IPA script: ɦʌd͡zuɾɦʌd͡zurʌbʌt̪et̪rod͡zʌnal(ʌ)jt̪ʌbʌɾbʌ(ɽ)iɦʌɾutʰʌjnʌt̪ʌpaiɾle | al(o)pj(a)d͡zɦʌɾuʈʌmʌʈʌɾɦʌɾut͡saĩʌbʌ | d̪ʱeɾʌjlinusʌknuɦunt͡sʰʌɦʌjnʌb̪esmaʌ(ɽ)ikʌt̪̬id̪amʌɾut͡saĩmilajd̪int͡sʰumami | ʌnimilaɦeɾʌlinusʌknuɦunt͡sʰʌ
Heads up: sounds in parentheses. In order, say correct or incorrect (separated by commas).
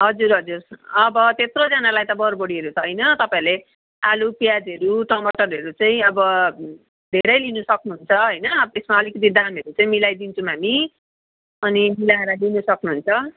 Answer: incorrect, correct, incorrect, correct, incorrect